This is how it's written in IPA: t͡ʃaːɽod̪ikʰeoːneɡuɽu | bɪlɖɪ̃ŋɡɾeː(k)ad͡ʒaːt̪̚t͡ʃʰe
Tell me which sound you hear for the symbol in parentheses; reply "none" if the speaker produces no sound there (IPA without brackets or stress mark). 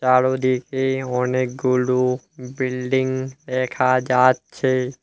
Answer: kʰ